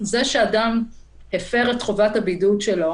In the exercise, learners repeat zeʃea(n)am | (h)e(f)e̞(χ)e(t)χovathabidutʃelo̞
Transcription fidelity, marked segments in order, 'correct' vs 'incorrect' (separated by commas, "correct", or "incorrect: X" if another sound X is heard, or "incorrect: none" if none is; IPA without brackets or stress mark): incorrect: d, correct, correct, incorrect: ʁ, correct